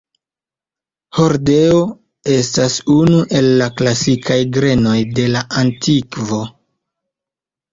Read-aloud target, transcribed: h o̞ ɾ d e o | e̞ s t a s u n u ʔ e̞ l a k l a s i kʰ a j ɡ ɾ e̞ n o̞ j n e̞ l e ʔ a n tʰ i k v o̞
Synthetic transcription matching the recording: h o̞ ɾ d e o | e̞ s t a s u n u ʔ e̞ lː a k l a s i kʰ a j ɡ ɾ e̞ n o̞ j d e̞ l a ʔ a n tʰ i k v o̞